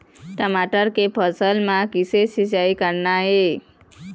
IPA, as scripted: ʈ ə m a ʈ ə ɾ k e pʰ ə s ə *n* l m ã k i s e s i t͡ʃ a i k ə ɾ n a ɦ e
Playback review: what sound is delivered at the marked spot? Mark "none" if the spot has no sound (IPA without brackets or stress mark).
none